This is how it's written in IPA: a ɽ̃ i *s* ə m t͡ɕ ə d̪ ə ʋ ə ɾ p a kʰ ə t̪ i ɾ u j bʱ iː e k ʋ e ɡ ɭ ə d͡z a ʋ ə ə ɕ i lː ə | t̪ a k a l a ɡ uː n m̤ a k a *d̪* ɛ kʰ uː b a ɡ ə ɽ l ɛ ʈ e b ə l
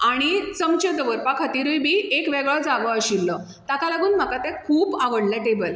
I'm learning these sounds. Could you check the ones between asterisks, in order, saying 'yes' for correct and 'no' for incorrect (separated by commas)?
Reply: no, no